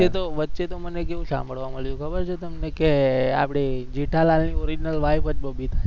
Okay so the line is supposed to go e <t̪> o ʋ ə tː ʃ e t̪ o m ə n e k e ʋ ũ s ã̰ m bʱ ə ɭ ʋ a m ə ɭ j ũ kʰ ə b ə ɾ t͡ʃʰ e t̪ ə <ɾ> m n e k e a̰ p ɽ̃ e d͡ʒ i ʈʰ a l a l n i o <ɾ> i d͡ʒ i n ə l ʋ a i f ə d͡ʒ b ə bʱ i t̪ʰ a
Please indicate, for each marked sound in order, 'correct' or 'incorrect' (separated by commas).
correct, incorrect, correct